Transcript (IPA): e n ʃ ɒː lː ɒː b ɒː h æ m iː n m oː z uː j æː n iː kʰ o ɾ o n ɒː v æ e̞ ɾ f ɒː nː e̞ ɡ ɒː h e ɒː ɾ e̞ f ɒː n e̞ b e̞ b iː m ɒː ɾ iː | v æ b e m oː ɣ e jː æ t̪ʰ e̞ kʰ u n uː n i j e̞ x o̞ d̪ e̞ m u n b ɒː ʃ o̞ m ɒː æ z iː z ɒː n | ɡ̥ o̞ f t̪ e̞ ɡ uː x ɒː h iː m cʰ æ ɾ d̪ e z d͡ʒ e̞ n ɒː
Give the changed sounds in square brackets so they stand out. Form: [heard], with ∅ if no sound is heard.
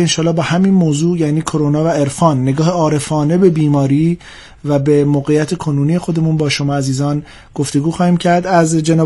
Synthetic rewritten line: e n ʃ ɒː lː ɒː b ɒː h æ m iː n m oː z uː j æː n iː kʰ o ɾ o n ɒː v æ e̞ ɾ f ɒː nː e̞ ɡ ɒː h e ɒː ɾ e̞ f ɒː n e̞ b e̞ b iː m ɒː ɾ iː | v æ b e m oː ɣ e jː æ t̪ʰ e̞ kʰ [o] n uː n i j e̞ x o̞ d̪ e̞ m u n b ɒː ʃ o̞ m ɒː æ z iː z ɒː n | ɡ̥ o̞ f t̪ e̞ ɡ uː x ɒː h iː m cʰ æ ɾ d̪ [æ] z d͡ʒ e̞ n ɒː